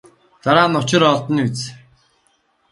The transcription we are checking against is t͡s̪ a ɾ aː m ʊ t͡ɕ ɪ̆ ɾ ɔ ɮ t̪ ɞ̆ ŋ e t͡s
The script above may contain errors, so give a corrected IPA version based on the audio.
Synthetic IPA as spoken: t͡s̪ a ɾ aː n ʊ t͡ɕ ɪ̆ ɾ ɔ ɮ t̪ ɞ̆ n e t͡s